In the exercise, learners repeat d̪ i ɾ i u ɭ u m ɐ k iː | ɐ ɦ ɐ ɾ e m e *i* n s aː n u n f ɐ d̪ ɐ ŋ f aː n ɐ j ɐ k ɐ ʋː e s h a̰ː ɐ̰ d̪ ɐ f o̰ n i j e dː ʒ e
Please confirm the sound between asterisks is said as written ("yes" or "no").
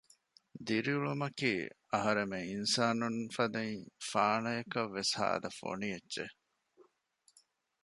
yes